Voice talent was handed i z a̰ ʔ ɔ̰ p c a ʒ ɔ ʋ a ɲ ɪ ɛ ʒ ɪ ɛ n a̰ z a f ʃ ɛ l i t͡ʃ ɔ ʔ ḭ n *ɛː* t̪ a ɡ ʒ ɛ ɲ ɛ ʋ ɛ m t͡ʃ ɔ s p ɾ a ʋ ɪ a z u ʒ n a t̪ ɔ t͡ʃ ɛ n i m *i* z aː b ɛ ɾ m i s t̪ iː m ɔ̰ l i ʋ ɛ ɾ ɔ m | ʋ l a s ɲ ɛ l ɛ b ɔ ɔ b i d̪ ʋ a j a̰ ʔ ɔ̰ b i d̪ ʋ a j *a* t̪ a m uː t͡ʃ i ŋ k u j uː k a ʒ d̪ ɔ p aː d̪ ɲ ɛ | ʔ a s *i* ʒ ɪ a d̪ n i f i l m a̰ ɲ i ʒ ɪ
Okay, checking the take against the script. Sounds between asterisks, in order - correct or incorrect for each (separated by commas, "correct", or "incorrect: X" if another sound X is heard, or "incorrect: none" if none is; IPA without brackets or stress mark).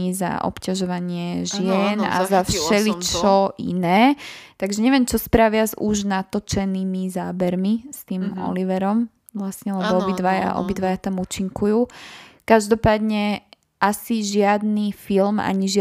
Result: correct, correct, correct, correct